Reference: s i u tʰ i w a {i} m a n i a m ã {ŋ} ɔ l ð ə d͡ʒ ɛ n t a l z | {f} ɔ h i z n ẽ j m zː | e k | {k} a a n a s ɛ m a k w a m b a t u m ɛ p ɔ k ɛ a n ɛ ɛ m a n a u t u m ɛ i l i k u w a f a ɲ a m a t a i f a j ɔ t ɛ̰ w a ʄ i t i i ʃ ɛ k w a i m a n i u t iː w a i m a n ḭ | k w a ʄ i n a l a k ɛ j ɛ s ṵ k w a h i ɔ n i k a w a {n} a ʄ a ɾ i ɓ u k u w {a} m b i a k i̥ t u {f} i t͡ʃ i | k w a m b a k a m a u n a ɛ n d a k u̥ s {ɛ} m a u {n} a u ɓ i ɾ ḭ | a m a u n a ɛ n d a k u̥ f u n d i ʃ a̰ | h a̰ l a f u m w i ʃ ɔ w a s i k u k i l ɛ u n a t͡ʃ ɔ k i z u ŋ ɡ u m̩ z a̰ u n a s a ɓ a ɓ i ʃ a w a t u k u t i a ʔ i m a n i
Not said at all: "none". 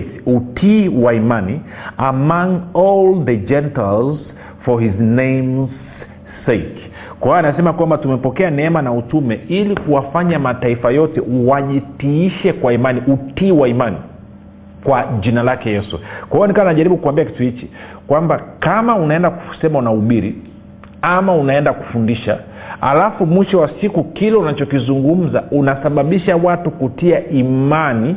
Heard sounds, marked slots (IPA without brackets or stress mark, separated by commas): i, ŋ, f, k, n, a, h, ɛ, n